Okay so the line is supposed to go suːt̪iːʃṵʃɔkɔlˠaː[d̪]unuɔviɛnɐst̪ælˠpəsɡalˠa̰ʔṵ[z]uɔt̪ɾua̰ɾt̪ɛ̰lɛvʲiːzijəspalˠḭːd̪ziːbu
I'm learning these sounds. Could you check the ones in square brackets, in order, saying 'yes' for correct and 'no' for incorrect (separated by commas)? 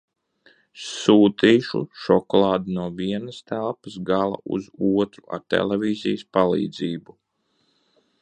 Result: yes, yes